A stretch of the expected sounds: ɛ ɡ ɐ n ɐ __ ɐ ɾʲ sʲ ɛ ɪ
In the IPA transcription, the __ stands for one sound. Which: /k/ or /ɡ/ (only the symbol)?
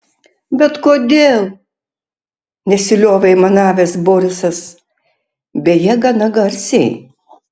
ɡ